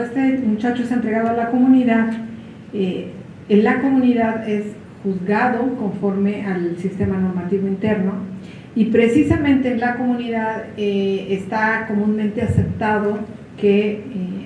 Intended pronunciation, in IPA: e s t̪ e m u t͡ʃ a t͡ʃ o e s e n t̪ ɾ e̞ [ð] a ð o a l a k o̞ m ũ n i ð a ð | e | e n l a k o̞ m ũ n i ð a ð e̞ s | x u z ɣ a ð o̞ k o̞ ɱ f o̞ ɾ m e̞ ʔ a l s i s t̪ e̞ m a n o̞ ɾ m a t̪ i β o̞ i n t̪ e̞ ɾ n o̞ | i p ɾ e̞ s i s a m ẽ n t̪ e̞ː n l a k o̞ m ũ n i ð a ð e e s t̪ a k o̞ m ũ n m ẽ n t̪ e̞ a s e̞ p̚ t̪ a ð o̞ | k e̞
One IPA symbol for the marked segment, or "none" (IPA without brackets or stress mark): ɣ